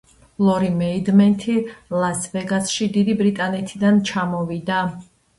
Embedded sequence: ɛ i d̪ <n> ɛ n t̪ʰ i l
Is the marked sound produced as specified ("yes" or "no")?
no